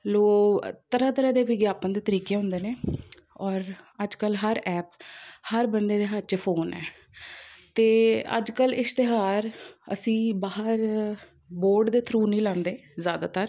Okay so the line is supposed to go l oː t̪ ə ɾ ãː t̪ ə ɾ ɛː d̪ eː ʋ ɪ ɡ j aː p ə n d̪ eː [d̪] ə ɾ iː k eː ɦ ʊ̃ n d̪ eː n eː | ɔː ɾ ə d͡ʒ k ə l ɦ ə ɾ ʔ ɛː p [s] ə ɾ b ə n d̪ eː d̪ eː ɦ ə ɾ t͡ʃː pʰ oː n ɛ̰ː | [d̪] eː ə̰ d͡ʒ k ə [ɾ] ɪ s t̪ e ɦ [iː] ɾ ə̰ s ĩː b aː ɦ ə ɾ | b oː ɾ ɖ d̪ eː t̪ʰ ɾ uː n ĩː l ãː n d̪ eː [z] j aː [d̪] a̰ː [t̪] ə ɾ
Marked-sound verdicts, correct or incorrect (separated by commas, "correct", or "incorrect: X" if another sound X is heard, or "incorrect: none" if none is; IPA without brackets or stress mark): incorrect: t̪, incorrect: h, incorrect: t̪, incorrect: l, incorrect: aː, correct, correct, correct